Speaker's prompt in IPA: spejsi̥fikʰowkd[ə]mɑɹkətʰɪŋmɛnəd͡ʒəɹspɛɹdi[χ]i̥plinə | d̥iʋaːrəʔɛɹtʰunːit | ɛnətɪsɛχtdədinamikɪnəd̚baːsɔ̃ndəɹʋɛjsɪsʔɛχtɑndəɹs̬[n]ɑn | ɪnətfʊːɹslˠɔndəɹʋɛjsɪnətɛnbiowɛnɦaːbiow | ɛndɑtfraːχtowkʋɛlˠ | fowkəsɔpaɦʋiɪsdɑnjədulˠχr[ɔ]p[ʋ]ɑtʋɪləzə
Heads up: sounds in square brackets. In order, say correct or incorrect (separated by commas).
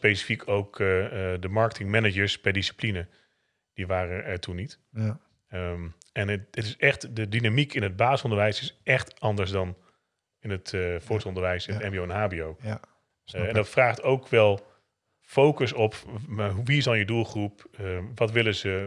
correct, incorrect, incorrect, incorrect, correct